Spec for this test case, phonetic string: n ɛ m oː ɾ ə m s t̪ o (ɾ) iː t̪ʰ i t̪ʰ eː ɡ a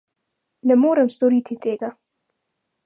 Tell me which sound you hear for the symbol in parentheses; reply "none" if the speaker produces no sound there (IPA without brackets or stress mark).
ɾ